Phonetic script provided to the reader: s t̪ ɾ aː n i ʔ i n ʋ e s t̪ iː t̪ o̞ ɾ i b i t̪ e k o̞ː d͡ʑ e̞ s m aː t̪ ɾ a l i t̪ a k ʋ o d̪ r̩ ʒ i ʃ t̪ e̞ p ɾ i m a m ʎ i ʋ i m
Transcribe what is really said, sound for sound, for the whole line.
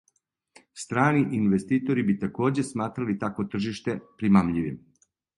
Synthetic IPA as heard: s t̪ ɾ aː n i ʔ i n ʋ e s t̪ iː t̪ o̞ ɾ i b i t̪ a k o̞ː d͡ʑ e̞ s m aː t̪ ɾ a l i t̪ a k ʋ o t̪ r̩ ʒ i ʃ t̪ e̞ p ɾ i m a m ʎ i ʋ i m